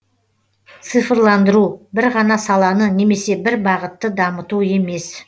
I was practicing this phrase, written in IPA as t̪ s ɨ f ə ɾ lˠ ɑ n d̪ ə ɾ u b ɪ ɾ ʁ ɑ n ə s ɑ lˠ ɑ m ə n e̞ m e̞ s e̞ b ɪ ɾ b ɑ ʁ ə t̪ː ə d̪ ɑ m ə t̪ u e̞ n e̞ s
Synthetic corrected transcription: t̪ s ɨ f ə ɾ lˠ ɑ n d̪ ə ɾ u b ɪ ɾ ʁ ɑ n ɑ s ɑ lˠ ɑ n ə n e̞ m e̞ s e̞ b ɪ ɾ b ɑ ʁ ə t̪ː ə d̪ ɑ m ə t̪ u e̞ m e̞ s